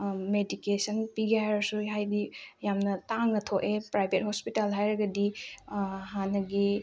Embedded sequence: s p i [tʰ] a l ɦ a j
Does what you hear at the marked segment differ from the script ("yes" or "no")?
yes